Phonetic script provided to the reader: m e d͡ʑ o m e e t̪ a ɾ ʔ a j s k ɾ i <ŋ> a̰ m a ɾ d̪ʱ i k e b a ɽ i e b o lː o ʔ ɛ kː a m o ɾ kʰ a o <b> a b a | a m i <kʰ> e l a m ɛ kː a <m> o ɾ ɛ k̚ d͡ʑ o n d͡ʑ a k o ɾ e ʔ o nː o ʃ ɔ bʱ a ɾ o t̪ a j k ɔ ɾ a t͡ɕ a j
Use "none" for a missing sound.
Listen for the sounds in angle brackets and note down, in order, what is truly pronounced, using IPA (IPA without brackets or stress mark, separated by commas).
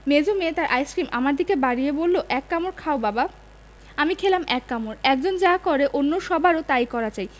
m, b, kʰ, m